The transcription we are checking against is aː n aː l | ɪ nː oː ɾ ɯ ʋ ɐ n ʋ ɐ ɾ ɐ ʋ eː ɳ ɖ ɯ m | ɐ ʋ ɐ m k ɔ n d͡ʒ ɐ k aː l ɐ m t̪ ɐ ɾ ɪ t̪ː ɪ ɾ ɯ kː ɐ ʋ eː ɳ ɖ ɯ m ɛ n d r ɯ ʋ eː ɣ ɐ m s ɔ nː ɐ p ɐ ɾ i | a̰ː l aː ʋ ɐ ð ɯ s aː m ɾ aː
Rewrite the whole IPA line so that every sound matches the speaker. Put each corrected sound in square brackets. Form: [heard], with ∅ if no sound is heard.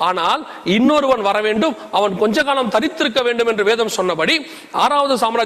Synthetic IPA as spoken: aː n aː l | ɪ nː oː ɾ ɯ ʋ ɐ n ʋ ɐ ɾ ɐ ʋ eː ɳ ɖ ɯ m | ɐ ʋ ɐ [n] k ɔ [ɲ] d͡ʒ ɐ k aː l ɐ m t̪ ɐ ɾ ɪ t̪ː ɪ ɾ ɯ kː ɐ ʋ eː ɳ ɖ ɯ m ɛ n d r ɯ ʋ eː [ð] ɐ m s ɔ nː ɐ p ɐ [ɽ] i | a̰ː [ɾ] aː ʋ ɐ ð ɯ s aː m ɾ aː